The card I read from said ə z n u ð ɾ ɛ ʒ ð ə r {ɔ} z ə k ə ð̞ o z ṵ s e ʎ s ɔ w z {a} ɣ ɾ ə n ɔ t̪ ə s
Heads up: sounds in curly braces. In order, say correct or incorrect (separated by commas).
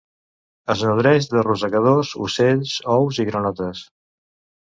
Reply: incorrect, incorrect